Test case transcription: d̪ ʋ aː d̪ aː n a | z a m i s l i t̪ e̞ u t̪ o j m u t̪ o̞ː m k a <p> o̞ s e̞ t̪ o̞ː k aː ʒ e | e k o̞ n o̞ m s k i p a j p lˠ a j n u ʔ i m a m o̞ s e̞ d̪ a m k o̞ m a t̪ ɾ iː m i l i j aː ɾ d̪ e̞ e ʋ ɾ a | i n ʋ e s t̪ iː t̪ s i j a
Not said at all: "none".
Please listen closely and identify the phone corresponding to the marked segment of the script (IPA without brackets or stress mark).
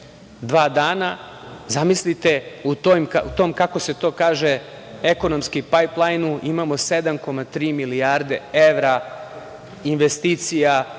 k